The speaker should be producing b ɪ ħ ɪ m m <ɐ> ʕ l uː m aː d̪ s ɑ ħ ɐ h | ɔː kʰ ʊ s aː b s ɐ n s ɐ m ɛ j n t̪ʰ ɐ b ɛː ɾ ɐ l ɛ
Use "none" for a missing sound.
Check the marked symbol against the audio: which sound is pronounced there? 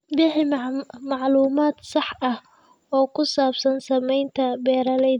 ɑ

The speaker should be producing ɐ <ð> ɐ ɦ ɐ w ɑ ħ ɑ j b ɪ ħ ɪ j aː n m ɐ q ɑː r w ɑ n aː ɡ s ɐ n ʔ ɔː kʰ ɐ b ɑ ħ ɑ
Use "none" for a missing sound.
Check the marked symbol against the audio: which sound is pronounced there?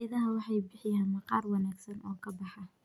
ð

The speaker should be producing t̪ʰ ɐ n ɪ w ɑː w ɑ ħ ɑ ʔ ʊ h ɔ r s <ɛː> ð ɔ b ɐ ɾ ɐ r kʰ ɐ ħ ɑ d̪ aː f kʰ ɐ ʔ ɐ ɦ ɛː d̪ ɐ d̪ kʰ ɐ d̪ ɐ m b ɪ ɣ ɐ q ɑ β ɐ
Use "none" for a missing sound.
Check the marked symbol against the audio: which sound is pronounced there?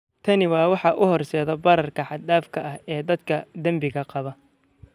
ɛː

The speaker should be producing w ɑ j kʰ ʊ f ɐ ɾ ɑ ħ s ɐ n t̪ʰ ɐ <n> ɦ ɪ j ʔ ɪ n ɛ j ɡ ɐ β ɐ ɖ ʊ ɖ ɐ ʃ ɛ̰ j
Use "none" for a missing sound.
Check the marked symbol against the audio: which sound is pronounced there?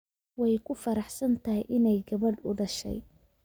none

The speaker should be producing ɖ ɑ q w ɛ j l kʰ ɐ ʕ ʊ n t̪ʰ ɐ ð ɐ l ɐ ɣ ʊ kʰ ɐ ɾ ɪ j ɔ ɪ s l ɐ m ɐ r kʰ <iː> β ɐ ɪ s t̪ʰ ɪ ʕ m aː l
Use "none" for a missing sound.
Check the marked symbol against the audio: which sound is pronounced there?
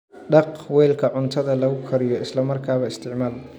aː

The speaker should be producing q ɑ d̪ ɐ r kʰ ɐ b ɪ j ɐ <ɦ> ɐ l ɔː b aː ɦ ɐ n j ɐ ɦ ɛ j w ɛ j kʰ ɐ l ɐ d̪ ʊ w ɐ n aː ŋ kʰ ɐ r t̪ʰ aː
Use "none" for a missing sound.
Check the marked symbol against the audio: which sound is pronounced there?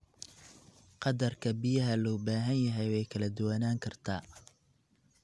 ɦ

